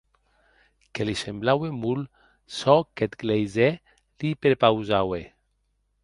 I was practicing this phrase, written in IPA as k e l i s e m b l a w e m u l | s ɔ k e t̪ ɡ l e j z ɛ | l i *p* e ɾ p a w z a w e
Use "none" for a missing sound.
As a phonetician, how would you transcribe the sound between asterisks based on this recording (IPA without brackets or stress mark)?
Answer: p